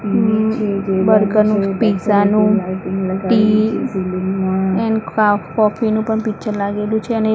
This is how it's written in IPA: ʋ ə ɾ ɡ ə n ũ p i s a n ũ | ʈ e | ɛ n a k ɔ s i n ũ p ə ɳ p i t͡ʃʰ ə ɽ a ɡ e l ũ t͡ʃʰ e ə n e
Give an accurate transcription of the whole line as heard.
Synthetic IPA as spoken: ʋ ə ɾ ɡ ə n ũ p i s a n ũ | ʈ i | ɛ n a k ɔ f i n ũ p ə ɳ p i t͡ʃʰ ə l a ɡ e l ũ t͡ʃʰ e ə n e

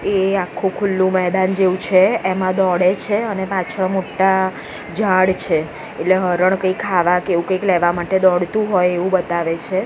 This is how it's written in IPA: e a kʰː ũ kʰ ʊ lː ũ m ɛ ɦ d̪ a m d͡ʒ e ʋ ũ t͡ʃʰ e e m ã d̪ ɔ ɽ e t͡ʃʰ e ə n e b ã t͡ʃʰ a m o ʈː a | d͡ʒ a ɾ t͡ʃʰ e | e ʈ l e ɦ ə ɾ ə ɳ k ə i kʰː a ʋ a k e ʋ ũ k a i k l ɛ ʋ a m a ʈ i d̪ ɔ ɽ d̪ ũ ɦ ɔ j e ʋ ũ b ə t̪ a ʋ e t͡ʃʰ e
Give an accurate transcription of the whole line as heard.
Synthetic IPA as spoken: e a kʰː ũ kʰ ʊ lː ũ m ɛ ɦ d̪ a n d͡ʒ e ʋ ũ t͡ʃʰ e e m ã d̪ ɔ ɽ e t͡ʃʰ e ə n e p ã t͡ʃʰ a m o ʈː a | d͡ʒ a ɽ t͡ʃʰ e | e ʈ l e ɦ ə ɾ ə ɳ k ə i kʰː a ʋ a k e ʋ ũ k ə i k l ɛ ʋ a m a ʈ e d̪ ɔ ɽ t̪ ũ ɦ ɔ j e ʋ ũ b ə t̪ a ʋ e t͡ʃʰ e

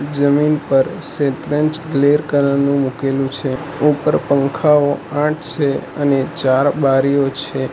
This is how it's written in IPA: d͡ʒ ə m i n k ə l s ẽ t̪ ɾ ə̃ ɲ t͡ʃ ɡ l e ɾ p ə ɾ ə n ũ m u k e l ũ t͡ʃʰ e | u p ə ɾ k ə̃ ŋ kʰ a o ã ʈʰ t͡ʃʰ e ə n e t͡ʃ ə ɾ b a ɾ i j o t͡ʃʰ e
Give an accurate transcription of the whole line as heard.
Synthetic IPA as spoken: d͡ʒ ə m i n p ə ɾ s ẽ t̪ ɾ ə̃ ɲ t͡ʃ ɡ l e ɾ k ə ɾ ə n ũ m u k e l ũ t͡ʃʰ e | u p ə ɾ p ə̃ ŋ kʰ a o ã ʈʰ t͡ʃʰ e ə n e t͡ʃ a ɾ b a ɾ i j o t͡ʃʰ e

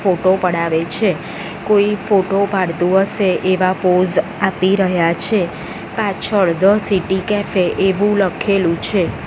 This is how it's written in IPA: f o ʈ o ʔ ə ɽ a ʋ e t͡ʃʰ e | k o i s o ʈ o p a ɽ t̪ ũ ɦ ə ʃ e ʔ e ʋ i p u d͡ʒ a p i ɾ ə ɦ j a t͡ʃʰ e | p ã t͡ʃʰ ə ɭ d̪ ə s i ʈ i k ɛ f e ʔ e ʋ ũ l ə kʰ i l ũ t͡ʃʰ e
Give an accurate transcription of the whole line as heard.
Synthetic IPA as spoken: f o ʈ o p ə ɽ a ʋ e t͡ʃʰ e | k o i f o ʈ o p a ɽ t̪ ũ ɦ ə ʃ e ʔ e ʋ a p o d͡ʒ a p i ɾ ə ɦ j a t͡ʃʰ e | p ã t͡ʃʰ ə ɭ d̪ ə s i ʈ i k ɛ f e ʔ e ʋ ũ l ə kʰ e l ũ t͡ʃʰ e

